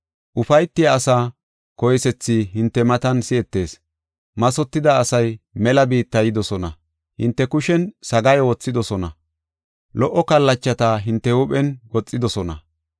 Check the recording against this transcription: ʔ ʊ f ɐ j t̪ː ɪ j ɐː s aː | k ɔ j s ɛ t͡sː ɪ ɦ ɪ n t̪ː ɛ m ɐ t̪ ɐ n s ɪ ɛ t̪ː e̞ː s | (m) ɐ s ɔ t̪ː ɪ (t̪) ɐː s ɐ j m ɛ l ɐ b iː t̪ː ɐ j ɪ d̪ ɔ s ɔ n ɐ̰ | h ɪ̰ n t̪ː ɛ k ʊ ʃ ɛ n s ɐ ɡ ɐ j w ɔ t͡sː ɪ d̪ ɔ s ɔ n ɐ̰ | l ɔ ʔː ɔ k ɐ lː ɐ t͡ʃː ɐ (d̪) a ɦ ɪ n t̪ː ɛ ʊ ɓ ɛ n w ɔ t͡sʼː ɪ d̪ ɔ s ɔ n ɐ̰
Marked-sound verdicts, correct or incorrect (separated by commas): correct, incorrect, incorrect